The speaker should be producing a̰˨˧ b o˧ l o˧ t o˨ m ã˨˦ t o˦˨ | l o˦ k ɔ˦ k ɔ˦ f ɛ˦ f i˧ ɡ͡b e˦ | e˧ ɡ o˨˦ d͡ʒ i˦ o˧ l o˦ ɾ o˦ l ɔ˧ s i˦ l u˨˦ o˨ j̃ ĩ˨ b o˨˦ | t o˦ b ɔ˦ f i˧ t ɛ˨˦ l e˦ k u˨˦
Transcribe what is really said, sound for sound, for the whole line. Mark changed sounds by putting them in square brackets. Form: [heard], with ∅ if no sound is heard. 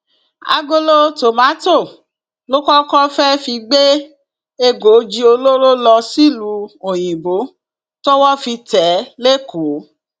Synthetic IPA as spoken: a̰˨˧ [ɡ] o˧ l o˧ t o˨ m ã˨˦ t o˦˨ | l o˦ k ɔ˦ k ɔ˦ f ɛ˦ f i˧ ɡ͡b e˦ | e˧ ɡ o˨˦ d͡ʒ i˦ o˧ l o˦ ɾ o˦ l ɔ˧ s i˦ l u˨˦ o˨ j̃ ĩ˨ b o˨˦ | t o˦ [w] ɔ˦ f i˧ t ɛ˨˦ l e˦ k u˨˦